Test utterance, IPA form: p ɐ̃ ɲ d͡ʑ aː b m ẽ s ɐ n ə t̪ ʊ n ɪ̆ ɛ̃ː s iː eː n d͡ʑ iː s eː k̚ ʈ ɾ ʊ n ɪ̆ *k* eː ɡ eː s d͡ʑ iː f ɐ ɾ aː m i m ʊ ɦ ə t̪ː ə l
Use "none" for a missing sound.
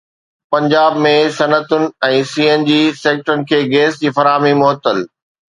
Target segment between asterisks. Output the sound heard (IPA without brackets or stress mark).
kʰ